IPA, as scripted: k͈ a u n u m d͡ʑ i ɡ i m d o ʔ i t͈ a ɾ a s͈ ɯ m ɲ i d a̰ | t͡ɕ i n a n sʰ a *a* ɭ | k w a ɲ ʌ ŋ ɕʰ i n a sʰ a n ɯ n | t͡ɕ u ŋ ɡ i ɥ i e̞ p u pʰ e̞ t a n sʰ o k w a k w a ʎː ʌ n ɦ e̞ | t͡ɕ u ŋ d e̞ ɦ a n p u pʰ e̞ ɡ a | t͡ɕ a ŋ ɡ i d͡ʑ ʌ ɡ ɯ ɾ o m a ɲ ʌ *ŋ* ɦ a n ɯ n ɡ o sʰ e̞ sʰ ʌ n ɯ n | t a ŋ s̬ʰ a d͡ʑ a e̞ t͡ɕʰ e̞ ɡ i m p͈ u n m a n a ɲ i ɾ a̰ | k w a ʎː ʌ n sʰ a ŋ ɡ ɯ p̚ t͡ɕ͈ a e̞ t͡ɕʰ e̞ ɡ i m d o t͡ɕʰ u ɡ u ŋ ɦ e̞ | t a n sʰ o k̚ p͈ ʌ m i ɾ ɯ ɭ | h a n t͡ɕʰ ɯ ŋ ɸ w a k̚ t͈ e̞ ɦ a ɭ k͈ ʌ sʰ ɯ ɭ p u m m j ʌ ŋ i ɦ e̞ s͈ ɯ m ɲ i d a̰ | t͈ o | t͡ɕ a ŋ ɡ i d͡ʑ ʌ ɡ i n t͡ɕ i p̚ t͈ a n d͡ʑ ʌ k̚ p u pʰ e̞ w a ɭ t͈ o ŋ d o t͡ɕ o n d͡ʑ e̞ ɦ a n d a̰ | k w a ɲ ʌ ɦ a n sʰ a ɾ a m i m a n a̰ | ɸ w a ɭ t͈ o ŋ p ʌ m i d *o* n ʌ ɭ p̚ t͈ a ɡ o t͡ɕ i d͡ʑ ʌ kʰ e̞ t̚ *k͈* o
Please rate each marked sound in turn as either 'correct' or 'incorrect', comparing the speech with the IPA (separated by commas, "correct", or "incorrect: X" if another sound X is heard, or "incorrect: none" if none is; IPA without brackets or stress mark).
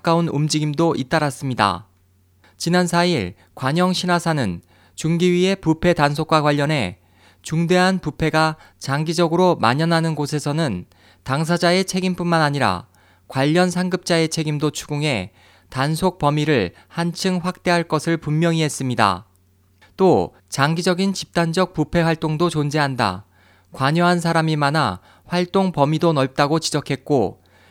incorrect: i, incorrect: n, correct, correct